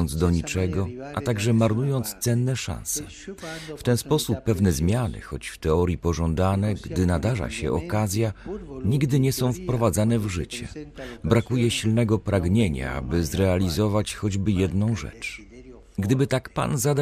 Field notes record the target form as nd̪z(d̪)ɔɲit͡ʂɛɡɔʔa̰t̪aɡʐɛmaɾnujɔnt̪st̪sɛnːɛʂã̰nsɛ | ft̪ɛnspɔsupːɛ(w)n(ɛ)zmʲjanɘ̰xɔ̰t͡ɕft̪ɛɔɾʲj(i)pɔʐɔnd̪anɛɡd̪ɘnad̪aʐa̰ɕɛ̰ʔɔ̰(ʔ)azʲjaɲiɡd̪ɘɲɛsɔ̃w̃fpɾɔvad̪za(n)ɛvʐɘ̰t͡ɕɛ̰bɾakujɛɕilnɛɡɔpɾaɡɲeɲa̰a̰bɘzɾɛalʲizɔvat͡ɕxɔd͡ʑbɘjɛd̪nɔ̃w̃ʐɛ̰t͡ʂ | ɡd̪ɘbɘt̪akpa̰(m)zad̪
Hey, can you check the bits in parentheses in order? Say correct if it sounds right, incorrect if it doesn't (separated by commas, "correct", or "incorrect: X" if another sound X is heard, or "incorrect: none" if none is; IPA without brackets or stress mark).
correct, incorrect: v, correct, correct, incorrect: k, correct, incorrect: n